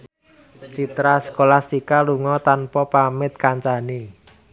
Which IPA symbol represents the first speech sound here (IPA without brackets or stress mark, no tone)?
t͡ʃ